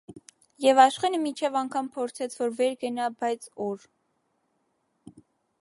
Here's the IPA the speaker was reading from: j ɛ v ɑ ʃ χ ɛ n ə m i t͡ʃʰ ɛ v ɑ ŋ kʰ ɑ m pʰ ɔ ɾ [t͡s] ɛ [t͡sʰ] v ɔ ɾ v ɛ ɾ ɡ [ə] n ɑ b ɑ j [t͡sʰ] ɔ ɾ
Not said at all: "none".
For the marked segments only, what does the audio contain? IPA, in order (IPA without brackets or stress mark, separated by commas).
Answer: t͡sʰ, t͡sʰ, ə, t͡sʰ